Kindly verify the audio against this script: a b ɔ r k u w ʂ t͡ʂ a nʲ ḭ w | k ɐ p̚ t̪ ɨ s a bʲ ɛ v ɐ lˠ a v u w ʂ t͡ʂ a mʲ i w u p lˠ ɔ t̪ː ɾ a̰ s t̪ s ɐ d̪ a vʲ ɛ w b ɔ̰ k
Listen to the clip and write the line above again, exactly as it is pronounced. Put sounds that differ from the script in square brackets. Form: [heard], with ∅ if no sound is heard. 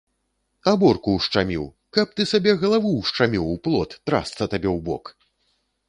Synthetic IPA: a b ɔ r k u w ʂ t͡ʂ a [mʲ] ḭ w | k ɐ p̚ t̪ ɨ s a bʲ ɛ [ɣ] ɐ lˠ a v u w ʂ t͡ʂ a mʲ i w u p lˠ ɔ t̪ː ɾ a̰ s t̪ s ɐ [t̪] a [bʲ] ɛ w b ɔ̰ k